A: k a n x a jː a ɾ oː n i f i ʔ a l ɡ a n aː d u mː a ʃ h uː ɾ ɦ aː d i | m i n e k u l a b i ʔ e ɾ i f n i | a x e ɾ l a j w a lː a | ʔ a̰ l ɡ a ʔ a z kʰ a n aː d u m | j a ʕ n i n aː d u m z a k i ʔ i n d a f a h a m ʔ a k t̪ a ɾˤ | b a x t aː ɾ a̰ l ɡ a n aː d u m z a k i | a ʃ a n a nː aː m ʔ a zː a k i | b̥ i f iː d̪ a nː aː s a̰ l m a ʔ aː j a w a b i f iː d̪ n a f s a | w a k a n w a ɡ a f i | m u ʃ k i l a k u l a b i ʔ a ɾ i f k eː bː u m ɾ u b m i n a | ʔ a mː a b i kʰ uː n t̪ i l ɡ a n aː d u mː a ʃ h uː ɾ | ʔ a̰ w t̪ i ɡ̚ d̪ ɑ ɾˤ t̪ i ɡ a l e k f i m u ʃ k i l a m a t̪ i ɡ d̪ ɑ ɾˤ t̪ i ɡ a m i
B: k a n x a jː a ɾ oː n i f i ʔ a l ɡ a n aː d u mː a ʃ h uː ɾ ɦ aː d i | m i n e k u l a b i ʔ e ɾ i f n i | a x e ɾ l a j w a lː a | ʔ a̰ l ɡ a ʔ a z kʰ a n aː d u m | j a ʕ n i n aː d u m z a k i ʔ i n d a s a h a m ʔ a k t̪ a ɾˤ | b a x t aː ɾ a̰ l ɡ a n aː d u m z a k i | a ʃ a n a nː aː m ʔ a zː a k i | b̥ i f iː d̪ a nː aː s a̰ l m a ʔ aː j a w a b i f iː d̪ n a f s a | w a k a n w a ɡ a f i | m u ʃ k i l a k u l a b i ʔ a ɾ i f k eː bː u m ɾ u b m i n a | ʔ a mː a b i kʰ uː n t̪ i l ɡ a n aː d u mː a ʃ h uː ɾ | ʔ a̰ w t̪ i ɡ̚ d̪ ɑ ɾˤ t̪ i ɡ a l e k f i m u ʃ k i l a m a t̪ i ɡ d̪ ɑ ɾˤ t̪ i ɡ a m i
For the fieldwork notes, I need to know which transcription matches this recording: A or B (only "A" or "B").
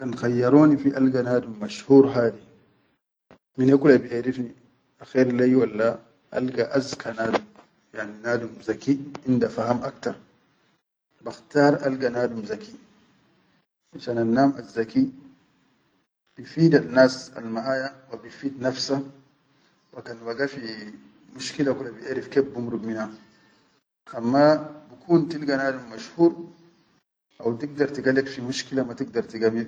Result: A